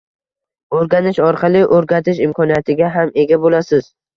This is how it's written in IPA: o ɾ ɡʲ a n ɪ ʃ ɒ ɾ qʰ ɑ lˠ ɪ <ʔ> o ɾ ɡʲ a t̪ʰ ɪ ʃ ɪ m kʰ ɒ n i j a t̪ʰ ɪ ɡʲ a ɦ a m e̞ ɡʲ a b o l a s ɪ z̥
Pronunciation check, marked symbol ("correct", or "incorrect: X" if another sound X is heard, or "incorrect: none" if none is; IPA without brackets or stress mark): correct